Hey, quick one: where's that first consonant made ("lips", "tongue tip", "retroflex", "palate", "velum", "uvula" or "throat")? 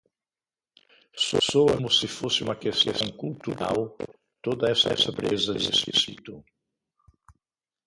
tongue tip